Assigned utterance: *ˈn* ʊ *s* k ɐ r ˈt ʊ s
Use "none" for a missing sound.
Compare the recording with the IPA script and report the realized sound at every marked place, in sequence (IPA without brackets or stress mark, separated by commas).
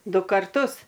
d, none